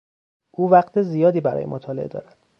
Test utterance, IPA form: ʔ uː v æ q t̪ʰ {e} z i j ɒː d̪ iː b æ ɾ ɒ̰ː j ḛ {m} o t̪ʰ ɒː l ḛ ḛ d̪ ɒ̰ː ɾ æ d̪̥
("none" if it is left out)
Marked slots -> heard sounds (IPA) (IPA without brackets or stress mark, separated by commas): e, m